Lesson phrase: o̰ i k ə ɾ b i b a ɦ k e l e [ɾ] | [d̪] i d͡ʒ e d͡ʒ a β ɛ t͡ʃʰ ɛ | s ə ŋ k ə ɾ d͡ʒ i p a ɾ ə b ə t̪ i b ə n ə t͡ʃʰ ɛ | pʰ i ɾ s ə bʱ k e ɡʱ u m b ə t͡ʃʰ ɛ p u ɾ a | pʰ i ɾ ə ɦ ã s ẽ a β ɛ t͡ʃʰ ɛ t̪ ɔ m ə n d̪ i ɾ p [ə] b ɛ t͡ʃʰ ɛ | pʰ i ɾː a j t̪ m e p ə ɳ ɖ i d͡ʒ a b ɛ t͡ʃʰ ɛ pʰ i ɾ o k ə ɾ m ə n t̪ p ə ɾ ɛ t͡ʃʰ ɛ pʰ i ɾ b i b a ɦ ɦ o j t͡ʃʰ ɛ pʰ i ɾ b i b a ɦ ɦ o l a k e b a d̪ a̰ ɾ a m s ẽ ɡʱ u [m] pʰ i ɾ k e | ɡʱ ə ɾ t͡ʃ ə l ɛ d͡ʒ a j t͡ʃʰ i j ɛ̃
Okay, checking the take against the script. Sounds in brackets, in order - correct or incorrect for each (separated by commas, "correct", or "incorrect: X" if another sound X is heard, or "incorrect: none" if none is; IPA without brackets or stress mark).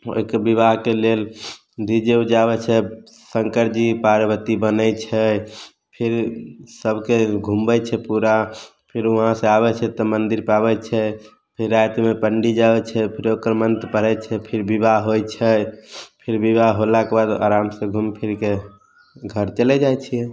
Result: incorrect: l, correct, incorrect: a, correct